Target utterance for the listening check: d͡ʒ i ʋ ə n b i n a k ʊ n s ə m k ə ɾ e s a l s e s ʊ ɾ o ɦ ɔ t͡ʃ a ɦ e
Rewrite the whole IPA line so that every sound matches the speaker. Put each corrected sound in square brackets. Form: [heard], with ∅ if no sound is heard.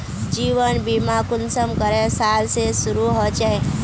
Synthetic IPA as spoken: d͡ʒ i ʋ ə n b i [m] a k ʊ n s ə m k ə ɾ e s a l s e s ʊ ɾ [u] ɦ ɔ t͡ʃ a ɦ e